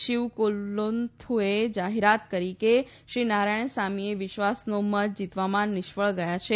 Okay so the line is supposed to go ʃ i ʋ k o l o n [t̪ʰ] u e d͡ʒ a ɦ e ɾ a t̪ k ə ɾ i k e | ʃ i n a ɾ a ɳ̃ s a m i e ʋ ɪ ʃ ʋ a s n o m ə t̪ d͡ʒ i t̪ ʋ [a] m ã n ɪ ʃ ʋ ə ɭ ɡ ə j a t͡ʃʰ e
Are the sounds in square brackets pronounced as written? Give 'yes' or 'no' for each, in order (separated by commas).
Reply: yes, yes